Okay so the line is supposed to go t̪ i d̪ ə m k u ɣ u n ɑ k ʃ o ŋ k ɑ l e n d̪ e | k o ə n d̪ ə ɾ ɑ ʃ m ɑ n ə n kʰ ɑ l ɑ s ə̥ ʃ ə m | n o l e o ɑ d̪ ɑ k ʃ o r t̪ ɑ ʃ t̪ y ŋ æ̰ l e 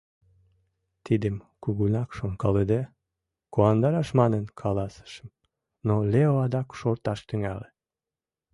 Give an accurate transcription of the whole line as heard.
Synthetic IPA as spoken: t̪ i d̪ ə m k u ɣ u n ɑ k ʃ o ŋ k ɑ l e d̪ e | k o ɑ n d̪ ɑ ɾ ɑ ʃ m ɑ n ə n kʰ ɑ l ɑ s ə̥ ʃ ə m | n o l e o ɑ d̪ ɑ k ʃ o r t̪ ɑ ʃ t̪ y ŋ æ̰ l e